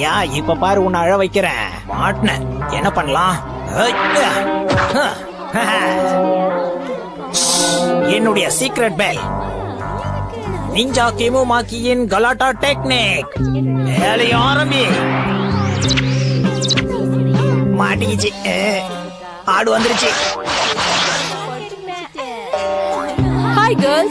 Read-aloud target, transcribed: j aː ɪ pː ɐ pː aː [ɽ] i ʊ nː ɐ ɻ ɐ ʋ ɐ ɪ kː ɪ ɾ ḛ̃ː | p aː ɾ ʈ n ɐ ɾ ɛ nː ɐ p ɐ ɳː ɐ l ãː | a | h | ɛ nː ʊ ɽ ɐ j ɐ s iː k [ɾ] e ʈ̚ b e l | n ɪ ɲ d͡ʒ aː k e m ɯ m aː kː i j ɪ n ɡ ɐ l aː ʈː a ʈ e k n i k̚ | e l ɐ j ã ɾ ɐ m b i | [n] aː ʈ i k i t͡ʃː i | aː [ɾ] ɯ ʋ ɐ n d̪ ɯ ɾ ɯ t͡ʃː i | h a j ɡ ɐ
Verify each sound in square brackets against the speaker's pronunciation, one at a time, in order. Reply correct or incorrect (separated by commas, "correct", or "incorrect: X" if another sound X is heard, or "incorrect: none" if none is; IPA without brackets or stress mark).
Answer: incorrect: ɾ, correct, incorrect: m, incorrect: ɽ